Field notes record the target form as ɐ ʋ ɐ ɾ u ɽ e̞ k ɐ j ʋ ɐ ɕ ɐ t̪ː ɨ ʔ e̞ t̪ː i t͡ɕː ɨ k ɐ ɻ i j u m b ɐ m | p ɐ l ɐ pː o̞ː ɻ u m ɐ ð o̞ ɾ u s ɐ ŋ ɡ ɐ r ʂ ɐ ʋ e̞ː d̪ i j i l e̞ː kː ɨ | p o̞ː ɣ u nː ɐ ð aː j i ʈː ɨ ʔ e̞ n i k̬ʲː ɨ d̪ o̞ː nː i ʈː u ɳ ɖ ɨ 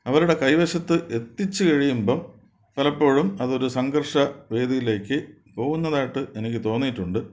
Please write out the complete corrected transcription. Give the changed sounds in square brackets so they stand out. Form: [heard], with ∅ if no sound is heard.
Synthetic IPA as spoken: ɐ ʋ ɐ ɾ u ɽ e̞ k ɐ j ʋ ɐ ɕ ɐ t̪ː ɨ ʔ e̞ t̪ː i t͡ɕː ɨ k ɐ ɻ i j u m b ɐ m | p ɐ l ɐ pː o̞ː ɻ u m ɐ ð o̞ ɾ u s ɐ ŋ ɡ ɐ r ʂ ɐ ʋ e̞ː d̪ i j i l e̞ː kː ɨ | p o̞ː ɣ u nː ɐ ð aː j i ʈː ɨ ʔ e̞ n i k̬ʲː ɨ [t̪] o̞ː nː i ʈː u ɳ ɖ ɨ